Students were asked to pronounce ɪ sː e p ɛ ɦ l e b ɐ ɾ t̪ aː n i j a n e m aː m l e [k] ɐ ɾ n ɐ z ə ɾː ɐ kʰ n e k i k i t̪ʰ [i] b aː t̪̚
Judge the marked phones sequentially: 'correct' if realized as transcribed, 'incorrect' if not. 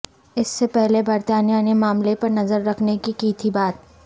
incorrect: p, correct

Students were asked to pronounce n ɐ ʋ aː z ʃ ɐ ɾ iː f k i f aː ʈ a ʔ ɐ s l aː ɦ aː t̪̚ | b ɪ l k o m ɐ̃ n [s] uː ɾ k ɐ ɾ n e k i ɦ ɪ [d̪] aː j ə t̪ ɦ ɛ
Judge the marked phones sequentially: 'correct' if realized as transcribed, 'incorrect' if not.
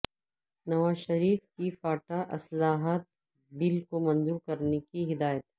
incorrect: z, correct

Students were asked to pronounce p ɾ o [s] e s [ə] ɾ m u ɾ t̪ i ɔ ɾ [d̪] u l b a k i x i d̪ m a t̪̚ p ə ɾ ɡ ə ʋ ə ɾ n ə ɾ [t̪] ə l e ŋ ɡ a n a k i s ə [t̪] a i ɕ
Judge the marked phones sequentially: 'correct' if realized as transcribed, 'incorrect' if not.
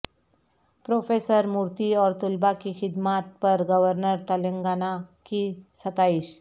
incorrect: f, correct, incorrect: t̪, correct, correct

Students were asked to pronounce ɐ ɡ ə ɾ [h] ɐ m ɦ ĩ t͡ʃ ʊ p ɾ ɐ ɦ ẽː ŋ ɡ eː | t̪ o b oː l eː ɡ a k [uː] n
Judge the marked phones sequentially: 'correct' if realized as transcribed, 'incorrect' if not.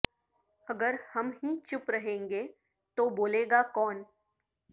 correct, incorrect: ɔː

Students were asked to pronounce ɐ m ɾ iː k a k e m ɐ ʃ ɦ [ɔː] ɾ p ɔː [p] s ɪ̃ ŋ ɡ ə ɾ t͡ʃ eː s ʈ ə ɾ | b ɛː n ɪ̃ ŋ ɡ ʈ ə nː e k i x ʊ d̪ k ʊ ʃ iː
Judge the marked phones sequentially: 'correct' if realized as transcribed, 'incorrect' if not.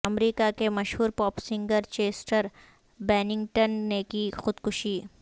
incorrect: uː, correct

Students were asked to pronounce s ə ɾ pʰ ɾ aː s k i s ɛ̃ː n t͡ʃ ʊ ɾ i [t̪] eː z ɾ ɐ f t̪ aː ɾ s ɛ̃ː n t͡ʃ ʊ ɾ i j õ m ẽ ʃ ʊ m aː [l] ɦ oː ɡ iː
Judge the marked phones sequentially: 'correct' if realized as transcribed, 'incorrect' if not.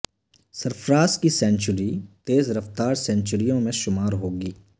correct, incorrect: ɾ

